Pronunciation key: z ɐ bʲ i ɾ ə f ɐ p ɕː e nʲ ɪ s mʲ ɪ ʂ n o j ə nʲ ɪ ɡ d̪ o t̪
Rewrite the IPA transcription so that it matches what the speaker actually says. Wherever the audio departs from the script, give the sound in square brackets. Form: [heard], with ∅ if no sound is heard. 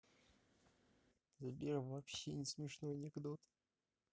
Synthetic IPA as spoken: z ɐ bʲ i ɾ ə [v] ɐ p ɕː e nʲ ɪ s mʲ ɪ ʂ n o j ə nʲ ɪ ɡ d̪ o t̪